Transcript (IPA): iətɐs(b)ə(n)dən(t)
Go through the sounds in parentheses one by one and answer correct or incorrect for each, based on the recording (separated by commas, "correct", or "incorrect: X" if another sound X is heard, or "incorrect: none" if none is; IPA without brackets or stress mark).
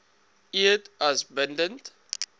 correct, correct, correct